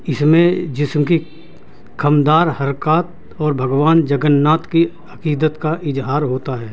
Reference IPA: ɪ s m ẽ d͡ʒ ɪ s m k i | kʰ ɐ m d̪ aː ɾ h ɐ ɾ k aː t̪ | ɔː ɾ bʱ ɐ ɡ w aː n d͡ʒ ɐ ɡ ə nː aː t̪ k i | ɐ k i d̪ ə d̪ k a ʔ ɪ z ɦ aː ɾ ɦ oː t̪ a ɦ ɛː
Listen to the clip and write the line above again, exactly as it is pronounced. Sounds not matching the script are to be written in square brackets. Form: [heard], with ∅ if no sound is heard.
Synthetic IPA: ɪ s m ẽ d͡ʒ ɪ s m k i | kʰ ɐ m d̪ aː ɾ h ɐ ɾ k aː t̪ | ɔː ɾ bʱ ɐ ɡ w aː n d͡ʒ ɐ ɡ ə nː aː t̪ k i | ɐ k [iː] d̪ ə [t̪] k a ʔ ɪ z ɦ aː ɾ ɦ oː t̪ a ɦ ɛː

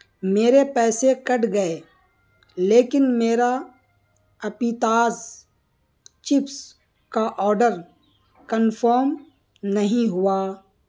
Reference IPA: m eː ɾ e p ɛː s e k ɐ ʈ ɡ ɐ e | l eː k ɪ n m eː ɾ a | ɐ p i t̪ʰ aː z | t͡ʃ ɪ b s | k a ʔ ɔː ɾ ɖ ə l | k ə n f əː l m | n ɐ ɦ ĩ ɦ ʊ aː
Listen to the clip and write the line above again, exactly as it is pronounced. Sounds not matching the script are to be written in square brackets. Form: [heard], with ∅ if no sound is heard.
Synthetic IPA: m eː ɾ e p ɛː s e k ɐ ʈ ɡ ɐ e | l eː k ɪ n m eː ɾ a | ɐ p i [t̪] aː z | t͡ʃ ɪ [p] s | k a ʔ ɔː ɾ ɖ ə [ɾ] | k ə n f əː [ɾ] m | n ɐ ɦ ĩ ɦ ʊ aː

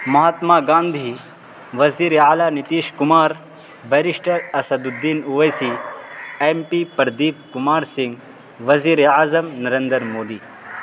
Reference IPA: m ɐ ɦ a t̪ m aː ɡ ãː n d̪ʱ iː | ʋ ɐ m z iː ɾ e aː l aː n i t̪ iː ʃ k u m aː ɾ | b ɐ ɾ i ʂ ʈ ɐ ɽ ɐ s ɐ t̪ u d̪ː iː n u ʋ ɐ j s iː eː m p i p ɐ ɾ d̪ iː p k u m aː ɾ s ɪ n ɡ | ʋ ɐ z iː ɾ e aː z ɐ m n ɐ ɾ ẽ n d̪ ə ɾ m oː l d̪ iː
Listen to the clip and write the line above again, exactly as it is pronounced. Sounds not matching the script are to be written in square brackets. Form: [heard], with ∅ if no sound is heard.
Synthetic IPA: m ɐ ɦ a t̪ m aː ɡ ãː n d̪ʱ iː | ʋ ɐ [∅] z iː ɾ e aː l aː n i t̪ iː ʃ k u m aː ɾ | b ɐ ɾ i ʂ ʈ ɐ [ɾ] ɐ s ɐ [d̪] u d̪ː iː n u ʋ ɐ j s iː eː m p i p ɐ ɾ d̪ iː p k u m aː ɾ s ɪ [ŋ] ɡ | ʋ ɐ z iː ɾ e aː z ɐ m n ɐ ɾ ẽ n d̪ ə ɾ m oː [∅] d̪ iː

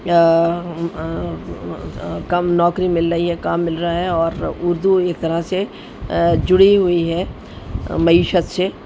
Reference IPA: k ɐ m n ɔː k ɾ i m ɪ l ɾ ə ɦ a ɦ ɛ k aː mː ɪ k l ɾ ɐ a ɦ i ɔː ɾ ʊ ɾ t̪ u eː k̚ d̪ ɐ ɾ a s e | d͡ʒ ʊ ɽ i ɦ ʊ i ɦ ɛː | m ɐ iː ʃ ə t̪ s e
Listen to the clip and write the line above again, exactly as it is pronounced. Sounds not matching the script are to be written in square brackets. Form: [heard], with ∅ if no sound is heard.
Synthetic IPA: k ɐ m n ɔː k ɾ i m ɪ l ɾ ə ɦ [i] ɦ ɛ k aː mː ɪ [∅] l ɾ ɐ a ɦ [ɛ] ɔː ɾ ʊ ɾ [d̪] u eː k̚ [t̪] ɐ ɾ a s e | d͡ʒ ʊ ɽ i ɦ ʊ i ɦ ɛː | m ɐ iː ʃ ə t̪ s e

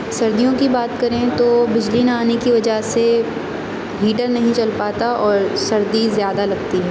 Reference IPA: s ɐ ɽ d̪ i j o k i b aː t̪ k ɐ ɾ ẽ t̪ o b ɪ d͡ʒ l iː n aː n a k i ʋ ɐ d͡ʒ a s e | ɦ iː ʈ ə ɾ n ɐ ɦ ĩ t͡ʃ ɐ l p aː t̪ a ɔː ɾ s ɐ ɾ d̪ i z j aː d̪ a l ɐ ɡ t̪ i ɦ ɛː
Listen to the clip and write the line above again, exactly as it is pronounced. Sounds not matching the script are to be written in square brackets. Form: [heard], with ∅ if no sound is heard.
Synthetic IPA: s ɐ [ɾ] d̪ i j [õ] k i b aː t̪ k ɐ ɾ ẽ t̪ o b ɪ d͡ʒ l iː n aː n [e] k i ʋ ɐ d͡ʒ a s e | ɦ iː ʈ ə ɾ n ɐ ɦ ĩ t͡ʃ ɐ l p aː t̪ a ɔː ɾ s ɐ ɾ d̪ i z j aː d̪ a l ɐ ɡ t̪ i ɦ ɛː

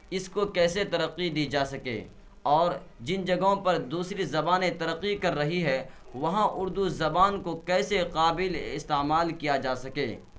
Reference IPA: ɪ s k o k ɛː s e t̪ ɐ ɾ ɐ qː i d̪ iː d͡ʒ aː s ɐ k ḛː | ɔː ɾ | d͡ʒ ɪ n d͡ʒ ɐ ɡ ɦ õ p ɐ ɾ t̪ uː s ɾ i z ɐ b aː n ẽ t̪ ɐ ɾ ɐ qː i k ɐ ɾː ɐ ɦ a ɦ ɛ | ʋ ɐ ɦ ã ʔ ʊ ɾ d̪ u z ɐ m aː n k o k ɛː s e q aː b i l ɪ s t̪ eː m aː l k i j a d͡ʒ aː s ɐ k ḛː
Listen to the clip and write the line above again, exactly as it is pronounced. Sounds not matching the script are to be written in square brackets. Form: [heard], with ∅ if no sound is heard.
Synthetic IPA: ɪ s k o k ɛː s e t̪ ɐ ɾ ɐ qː i d̪ iː d͡ʒ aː s ɐ k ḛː | ɔː ɾ | d͡ʒ ɪ n d͡ʒ ɐ ɡ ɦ õ p ɐ ɾ [d̪] uː s ɾ i z ɐ b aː n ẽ t̪ ɐ ɾ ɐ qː i k ɐ ɾː ɐ ɦ [i] ɦ ɛ | ʋ ɐ ɦ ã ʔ ʊ ɾ d̪ u z ɐ [b] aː n k o k ɛː s e q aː b [ɪ] l ɪ s t̪ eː m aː l k i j a d͡ʒ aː s ɐ k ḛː

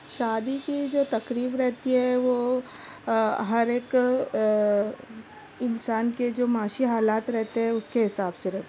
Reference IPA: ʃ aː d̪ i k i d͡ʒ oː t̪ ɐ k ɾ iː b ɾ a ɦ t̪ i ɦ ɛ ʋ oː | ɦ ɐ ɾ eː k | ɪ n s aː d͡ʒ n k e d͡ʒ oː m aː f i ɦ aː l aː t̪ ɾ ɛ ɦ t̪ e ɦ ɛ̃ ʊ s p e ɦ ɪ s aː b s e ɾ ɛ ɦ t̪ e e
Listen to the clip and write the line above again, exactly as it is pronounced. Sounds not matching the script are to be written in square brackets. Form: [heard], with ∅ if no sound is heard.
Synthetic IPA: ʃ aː d̪ i k i d͡ʒ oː t̪ ɐ k ɾ iː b ɾ [ɛ] ɦ t̪ i ɦ ɛ ʋ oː | ɦ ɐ ɾ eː k | ɪ n s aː [∅] n k e d͡ʒ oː m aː [ʃ] i ɦ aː l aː t̪ ɾ ɛ ɦ t̪ e ɦ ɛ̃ ʊ s [k] e ɦ ɪ s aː b s e ɾ ɛ ɦ t̪ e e

